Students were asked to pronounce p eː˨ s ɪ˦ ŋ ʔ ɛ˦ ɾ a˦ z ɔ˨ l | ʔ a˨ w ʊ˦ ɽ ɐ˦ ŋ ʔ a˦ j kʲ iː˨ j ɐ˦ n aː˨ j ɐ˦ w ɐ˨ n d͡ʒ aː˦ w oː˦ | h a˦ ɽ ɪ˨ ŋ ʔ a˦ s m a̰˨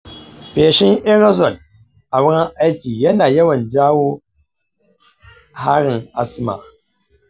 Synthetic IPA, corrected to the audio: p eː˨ ʃ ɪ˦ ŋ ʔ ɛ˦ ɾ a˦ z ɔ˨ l | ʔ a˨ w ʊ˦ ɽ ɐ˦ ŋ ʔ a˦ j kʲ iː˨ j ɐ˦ n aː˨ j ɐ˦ w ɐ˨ n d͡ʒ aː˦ w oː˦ | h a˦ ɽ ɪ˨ ŋ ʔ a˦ s m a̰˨

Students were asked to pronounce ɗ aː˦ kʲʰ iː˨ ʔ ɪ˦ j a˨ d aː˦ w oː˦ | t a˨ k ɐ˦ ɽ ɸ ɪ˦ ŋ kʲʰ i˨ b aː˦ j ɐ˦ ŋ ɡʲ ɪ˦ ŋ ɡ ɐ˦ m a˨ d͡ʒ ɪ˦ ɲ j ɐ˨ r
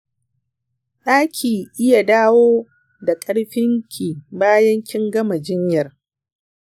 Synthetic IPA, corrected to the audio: ɗ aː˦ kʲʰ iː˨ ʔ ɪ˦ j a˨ d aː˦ w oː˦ | d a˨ kʼ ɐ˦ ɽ ɸ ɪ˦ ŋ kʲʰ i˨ b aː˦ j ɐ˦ ŋ kʲ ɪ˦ ŋ ɡ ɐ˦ m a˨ d͡ʒ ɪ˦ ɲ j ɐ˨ r

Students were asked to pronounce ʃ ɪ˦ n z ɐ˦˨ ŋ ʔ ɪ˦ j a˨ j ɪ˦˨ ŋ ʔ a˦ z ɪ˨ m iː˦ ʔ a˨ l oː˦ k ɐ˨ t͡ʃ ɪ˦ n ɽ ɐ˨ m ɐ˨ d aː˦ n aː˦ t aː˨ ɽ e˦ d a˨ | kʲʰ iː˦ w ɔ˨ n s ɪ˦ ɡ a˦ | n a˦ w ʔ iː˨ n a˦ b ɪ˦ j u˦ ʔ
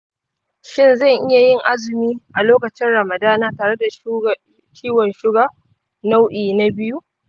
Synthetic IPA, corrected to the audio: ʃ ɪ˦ n z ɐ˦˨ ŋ ʔ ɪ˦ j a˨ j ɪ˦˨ ŋ ʔ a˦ z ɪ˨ m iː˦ ʔ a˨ l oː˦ k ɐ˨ t͡ʃ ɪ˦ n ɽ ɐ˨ m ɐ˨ d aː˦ n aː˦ t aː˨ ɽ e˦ d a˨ | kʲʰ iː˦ w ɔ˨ n ʃ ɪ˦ ɡ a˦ | n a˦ w ʔ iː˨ n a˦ b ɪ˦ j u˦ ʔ

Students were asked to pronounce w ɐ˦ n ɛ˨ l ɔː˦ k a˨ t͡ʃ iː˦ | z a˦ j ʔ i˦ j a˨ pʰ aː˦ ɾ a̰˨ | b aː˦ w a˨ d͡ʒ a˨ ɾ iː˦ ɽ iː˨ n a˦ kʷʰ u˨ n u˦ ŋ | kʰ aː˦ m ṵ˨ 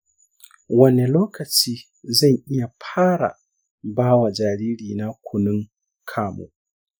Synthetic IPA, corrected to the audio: w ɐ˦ n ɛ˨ l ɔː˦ k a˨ t͡ʃ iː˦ | z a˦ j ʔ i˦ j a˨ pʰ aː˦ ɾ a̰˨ | b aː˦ w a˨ d͡ʒ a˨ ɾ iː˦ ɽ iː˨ n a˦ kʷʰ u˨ n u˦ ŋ | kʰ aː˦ m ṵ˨

